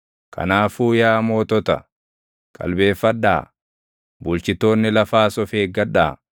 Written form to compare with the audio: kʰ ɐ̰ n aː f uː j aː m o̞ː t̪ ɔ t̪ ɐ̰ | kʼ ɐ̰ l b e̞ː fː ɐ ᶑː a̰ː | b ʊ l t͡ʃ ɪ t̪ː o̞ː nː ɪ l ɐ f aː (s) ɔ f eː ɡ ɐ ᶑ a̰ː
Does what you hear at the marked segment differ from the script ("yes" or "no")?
no